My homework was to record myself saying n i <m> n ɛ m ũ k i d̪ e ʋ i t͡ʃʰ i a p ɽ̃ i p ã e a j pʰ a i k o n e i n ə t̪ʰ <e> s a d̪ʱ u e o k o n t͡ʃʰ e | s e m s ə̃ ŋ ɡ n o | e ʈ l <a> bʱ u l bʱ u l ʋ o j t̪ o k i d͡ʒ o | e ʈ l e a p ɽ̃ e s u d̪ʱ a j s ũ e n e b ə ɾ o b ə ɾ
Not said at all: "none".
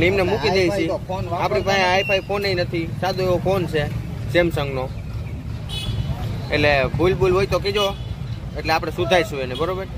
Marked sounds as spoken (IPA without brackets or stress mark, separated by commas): m, i, e